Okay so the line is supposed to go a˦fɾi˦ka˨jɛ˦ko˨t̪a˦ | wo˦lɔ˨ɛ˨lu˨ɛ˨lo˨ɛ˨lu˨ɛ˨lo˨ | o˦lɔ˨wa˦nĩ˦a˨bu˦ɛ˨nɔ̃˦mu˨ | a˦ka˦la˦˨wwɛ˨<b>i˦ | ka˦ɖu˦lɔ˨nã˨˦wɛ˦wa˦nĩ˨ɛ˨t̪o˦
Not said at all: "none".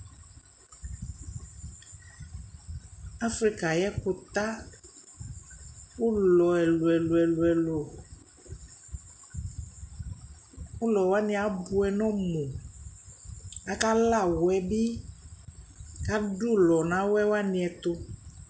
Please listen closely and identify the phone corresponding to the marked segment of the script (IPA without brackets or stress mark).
b